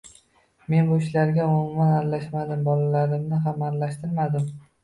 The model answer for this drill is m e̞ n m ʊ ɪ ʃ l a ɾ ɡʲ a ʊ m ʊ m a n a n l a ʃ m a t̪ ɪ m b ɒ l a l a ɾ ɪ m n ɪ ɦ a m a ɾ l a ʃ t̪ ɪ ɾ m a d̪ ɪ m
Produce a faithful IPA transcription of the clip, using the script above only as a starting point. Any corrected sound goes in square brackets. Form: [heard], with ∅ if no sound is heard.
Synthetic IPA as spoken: m e̞ n [b] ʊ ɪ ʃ l a ɾ ɡʲ a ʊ m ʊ m a n a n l a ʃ m a [d̪] ɪ m b ɒ l a l a ɾ ɪ m n ɪ ɦ a m a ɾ l a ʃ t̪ ɪ ɾ m a d̪ ɪ m